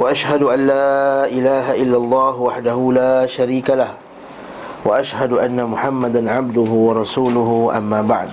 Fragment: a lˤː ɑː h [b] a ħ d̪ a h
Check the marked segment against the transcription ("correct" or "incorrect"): incorrect